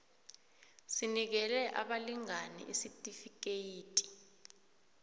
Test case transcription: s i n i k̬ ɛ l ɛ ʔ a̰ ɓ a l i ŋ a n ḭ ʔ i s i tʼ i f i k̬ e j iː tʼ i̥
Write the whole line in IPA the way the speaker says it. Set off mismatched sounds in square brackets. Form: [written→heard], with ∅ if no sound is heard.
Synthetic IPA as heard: s i n i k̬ ɛ l ɛ ʔ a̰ ɓ a l i ŋ a n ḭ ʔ i s i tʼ i f i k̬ e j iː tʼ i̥